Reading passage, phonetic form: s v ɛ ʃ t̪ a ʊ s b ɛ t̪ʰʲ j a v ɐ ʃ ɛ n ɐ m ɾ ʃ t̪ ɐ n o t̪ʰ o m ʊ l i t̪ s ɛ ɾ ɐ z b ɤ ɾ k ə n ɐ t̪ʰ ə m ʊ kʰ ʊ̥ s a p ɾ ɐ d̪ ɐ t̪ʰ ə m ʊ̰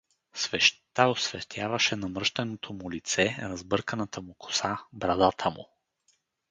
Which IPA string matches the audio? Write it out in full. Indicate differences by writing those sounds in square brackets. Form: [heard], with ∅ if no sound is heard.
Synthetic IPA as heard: s v ɛ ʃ t̪ a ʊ s [v] ɛ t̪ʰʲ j a v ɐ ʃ ɛ n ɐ m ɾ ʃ t̪ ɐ n o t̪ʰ o m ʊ l i t̪ s ɛ ɾ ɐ z b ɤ ɾ k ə n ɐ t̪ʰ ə m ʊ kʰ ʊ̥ s a [b] ɾ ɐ d̪ [a] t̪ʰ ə m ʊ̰